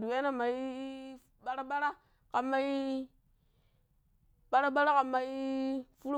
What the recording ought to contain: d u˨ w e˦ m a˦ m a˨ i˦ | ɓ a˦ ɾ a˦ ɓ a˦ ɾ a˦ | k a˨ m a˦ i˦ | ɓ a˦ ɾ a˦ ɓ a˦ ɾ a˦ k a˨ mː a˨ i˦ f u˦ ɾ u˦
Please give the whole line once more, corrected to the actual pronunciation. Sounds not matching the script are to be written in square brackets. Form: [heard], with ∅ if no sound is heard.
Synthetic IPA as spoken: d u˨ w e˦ [n] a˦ m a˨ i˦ | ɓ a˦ ɾ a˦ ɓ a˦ ɾ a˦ | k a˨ m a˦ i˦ | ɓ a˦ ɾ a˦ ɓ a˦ ɾ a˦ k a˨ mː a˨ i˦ f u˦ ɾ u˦